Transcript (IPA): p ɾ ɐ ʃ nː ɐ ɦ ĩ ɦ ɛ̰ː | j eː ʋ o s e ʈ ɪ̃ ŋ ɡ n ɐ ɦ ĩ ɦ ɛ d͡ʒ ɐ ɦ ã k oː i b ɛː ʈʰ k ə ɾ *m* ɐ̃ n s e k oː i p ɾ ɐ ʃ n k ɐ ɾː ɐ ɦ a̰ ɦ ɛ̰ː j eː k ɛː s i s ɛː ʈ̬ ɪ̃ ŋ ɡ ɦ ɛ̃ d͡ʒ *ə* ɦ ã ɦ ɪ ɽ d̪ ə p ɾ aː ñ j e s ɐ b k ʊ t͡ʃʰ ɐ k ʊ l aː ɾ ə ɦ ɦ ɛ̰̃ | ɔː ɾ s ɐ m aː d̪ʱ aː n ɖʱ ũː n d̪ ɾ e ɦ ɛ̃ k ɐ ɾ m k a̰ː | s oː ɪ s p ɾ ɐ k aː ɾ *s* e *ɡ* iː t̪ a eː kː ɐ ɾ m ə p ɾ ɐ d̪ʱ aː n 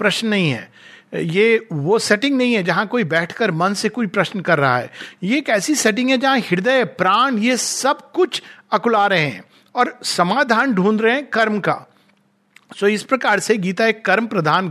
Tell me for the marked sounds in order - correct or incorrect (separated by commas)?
correct, incorrect, correct, correct